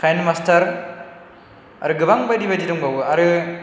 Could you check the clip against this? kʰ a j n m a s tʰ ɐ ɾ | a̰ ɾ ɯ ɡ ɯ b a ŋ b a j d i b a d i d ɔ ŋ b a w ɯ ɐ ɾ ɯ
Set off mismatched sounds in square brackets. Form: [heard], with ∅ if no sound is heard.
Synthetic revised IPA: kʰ a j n m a s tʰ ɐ ɾ | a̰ ɾ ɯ ɡ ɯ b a ŋ b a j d i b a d i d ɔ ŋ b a w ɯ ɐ ɾ ɯ

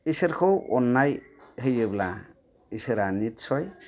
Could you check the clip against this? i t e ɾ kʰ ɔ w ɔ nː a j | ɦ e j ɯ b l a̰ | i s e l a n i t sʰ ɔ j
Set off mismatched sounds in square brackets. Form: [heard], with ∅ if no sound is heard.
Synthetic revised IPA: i [s] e ɾ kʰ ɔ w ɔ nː a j | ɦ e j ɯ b l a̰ | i s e [ɾ] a n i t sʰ ɔ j

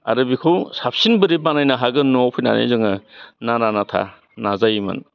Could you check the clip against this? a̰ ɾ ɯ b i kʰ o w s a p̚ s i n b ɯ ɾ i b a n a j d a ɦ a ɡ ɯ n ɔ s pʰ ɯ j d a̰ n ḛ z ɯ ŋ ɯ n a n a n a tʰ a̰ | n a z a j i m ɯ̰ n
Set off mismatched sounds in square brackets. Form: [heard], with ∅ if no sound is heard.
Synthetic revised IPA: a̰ ɾ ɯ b i kʰ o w s a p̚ s i n b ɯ ɾ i b a n a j [n] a ɦ a ɡ ɯ n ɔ [∅] pʰ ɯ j [n] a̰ n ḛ z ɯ ŋ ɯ n a n a n a tʰ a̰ | n a z a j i m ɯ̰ n

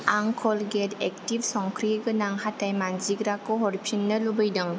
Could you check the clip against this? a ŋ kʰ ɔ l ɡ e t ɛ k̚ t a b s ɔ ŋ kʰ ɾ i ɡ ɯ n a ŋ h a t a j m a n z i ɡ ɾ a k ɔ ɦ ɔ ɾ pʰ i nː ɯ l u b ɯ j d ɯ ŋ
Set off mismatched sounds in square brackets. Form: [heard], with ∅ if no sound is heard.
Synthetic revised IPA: a ŋ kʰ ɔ l ɡ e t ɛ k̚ t [i] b s ɔ ŋ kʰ ɾ i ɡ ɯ n a ŋ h a t a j m a n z i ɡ ɾ a k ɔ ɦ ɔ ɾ pʰ i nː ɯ l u b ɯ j d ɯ ŋ

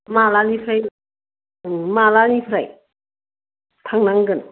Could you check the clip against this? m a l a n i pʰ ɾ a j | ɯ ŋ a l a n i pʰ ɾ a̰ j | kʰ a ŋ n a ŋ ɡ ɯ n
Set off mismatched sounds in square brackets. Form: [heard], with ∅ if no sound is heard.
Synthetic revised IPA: m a l a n i pʰ ɾ a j | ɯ [m] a l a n i pʰ ɾ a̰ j | [tʰ] a ŋ n a ŋ ɡ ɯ n

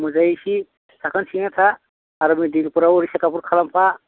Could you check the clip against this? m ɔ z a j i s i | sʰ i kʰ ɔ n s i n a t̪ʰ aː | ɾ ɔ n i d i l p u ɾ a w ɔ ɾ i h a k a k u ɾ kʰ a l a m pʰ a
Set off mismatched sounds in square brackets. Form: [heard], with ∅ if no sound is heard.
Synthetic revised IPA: m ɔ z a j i s i | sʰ [a] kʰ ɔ n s i n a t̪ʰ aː | ɾ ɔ [m] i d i l p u ɾ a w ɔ ɾ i [s] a k a [p] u ɾ kʰ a l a m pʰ a

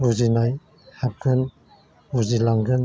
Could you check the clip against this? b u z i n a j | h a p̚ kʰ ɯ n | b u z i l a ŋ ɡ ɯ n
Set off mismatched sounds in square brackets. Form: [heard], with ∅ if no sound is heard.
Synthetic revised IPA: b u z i n a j | h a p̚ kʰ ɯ n | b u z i l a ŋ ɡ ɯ n

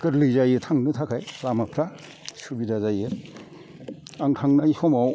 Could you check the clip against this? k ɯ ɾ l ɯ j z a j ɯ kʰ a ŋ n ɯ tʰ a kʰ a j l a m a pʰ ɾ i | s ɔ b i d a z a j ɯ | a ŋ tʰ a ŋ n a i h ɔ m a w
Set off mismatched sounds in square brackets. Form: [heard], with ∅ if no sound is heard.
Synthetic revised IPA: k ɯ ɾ l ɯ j z a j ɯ [tʰ] a ŋ n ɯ tʰ a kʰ a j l a m a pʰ ɾ [a] | s [u] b i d a z a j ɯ | a ŋ tʰ a ŋ n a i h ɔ m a w

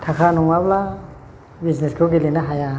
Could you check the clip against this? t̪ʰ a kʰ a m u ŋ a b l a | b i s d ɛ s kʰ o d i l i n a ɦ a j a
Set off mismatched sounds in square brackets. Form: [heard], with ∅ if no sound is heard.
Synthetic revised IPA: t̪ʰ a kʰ a [n] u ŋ a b l a | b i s [n] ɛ s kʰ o [ɡ] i l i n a ɦ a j a

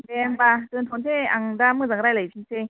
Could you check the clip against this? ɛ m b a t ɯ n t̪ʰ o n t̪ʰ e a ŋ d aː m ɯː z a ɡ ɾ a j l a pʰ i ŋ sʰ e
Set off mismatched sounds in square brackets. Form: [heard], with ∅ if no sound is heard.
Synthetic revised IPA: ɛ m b a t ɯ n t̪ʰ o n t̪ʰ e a ŋ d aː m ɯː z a [ŋ] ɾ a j l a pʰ i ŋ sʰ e

